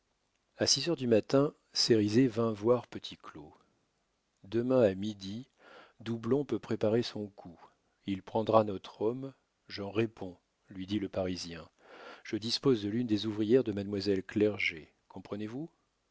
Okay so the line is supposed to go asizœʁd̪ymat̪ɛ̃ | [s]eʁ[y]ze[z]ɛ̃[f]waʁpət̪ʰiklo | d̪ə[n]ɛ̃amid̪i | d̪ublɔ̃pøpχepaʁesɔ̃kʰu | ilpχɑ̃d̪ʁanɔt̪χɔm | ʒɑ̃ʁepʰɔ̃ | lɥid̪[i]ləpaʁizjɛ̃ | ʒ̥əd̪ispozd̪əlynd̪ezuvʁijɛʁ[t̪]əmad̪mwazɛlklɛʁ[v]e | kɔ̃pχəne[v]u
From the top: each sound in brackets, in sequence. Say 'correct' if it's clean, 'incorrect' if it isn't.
correct, incorrect: i, incorrect: v, incorrect: v, incorrect: m, correct, incorrect: d̪, incorrect: ʒ, correct

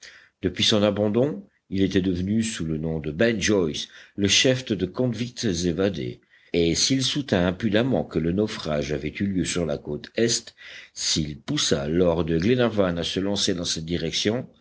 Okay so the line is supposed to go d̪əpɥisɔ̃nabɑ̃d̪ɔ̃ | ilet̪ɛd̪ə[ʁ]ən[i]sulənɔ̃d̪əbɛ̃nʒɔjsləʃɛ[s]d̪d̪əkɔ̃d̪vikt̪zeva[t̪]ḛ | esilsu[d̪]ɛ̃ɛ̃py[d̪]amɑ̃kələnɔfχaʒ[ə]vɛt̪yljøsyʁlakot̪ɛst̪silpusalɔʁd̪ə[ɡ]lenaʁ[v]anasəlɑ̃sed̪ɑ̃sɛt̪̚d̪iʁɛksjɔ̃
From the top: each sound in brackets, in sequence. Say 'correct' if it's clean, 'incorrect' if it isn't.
incorrect: v, incorrect: y, incorrect: f, incorrect: d̪, incorrect: t̪, correct, incorrect: a, correct, correct

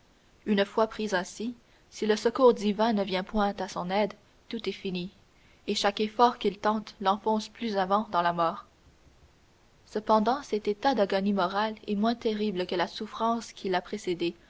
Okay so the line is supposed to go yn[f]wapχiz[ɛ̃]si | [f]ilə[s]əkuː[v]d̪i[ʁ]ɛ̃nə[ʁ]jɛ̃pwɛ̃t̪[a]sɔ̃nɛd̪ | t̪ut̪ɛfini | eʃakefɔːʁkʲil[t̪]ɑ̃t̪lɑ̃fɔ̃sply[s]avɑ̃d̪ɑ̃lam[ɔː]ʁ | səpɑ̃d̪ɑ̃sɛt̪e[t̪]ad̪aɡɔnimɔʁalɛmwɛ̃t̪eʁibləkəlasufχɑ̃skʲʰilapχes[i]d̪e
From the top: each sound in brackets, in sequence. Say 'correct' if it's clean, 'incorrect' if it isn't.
correct, correct, incorrect: s, correct, incorrect: ʁ, incorrect: v, incorrect: v, correct, correct, incorrect: z, correct, correct, incorrect: e

